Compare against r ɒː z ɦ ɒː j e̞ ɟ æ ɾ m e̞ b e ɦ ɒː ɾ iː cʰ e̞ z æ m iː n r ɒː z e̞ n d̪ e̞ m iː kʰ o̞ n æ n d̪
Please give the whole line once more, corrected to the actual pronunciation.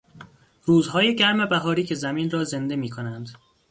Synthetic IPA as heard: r uː z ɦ ɒː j e̞ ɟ æ ɾ m e̞ b æ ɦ ɒː ɾ iː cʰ e̞ z æ m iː n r ɒː z e̞ n d̪ e̞ m iː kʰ o̞ n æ n d̪